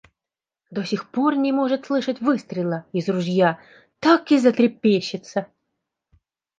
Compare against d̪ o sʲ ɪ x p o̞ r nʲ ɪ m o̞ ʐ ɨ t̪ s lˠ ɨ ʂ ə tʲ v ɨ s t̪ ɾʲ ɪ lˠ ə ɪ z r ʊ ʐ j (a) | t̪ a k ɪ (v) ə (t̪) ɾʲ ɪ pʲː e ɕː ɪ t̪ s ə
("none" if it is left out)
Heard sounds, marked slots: a, z, t̪

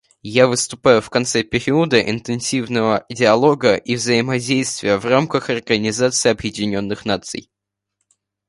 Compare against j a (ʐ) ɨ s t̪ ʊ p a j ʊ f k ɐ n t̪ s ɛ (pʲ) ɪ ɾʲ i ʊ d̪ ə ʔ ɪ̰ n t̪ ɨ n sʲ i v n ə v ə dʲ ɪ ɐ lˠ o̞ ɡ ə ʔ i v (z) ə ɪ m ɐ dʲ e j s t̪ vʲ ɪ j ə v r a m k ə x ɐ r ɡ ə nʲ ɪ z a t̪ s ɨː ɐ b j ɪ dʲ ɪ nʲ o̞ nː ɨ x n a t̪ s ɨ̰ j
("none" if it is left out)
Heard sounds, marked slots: v, pʲ, z

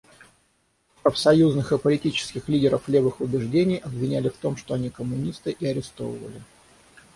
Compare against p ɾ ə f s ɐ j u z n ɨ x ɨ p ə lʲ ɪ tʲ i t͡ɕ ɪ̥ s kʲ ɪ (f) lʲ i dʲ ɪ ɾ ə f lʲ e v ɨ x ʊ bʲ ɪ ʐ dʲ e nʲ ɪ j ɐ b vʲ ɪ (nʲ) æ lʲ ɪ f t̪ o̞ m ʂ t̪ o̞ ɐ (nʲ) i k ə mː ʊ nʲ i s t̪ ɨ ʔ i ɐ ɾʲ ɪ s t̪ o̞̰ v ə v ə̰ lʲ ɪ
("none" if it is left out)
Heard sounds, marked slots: x, nʲ, nʲ

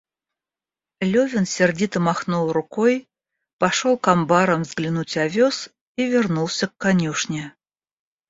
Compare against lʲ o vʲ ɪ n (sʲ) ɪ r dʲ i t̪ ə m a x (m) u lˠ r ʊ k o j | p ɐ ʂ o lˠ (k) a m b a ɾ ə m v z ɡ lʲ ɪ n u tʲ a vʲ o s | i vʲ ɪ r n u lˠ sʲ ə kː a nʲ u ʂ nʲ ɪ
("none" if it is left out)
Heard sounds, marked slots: sʲ, n, k

